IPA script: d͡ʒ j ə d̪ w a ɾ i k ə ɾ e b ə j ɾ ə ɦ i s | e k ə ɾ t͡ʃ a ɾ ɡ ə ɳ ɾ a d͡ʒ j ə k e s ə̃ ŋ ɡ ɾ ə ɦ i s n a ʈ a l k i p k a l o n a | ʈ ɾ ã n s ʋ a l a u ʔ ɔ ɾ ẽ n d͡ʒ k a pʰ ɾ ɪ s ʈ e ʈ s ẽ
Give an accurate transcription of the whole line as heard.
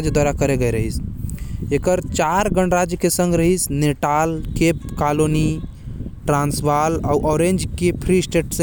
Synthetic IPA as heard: d͡ʒ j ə d̪ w a ɾ a k ə ɾ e ɡ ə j ɾ ə ɦ i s | e k ə ɾ t͡ʃ a ɾ ɡ ə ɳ ɾ a d͡ʒ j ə k e s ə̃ ŋ ɡ ɾ ə ɦ i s n e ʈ a l k e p k a l o n i | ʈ ɾ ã n s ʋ a l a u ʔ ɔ ɾ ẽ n d͡ʒ k e pʰ ɾ i s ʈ e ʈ s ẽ